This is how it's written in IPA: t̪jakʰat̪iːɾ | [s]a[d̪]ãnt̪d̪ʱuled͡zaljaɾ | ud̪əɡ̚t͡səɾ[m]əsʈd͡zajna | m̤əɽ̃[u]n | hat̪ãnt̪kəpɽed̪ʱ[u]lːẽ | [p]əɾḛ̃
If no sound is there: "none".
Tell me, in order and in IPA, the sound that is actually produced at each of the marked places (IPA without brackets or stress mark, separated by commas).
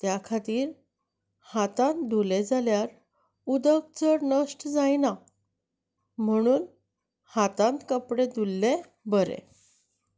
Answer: h, t̪, n, uː, u, b